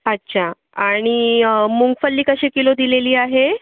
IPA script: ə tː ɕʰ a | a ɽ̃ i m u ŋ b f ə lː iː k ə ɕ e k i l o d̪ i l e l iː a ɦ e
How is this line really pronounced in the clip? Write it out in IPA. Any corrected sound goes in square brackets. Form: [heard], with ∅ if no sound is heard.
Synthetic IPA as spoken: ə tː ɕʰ a | a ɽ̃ i m u ŋ [ɡ] f ə lː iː k ə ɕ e k i l o d̪ i l e l iː a ɦ e